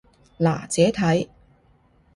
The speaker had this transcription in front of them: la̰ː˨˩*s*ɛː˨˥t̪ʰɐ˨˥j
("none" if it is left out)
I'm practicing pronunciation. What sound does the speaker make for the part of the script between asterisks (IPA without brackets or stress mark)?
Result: t͡s